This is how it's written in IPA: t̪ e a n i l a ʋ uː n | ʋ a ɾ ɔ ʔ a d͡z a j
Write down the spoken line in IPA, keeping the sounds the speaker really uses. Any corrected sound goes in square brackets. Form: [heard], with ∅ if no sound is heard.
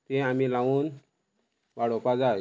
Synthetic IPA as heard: t̪ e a [m] i l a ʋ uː n | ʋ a [ɽ] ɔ [p] a d͡z a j